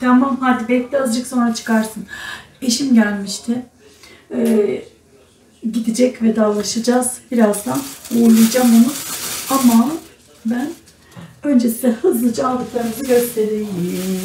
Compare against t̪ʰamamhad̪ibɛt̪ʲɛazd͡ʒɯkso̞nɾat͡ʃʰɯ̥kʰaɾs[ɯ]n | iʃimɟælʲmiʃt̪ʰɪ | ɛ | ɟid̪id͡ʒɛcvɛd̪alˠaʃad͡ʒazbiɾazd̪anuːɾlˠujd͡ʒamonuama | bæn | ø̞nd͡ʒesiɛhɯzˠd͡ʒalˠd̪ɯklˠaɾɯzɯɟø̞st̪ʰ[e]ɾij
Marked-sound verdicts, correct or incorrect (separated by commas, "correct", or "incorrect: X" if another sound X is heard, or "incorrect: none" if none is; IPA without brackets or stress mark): correct, correct